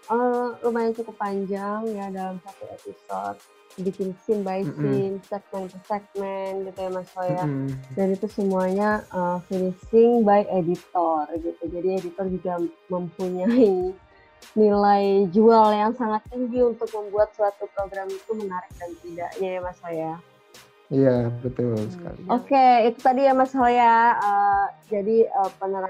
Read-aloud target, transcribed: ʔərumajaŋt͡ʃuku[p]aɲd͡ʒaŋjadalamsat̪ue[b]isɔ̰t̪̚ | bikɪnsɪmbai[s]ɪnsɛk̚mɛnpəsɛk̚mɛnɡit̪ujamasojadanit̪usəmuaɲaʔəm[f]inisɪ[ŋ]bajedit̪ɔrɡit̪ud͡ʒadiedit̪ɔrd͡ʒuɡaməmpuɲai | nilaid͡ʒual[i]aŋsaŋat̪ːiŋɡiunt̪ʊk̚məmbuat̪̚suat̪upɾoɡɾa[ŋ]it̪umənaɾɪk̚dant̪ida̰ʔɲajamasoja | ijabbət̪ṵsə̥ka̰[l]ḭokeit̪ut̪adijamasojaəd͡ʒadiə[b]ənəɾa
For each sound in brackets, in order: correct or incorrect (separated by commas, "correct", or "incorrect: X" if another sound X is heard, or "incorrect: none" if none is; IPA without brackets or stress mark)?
correct, incorrect: p, correct, correct, correct, incorrect: j, incorrect: m, correct, incorrect: p